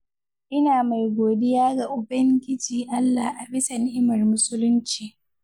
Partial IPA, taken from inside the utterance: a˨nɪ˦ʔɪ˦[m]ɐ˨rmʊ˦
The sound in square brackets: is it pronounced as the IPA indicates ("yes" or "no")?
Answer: yes